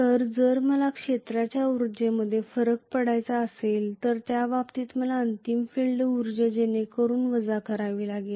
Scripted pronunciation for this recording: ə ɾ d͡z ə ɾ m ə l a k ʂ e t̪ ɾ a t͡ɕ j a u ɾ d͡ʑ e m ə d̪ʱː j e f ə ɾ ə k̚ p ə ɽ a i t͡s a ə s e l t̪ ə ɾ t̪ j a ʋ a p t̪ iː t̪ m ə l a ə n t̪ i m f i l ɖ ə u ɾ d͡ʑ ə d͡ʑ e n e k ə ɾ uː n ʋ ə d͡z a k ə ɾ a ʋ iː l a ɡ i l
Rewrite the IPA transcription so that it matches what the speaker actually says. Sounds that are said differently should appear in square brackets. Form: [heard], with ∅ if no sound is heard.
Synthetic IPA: ə ɾ d͡z ə ɾ m ə l a k ʂ e t̪ ɾ a t͡ɕ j a u ɾ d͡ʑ e m ə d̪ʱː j e f ə ɾ ə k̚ p ə ɽ a [j] t͡s a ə s e l t̪ ə ɾ t̪ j a ʋ a p t̪ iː t̪ m ə l a ə n t̪ i m f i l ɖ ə u ɾ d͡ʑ ə d͡ʑ e n e k ə ɾ uː n ʋ ə d͡z a k ə ɾ a ʋ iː l a ɡ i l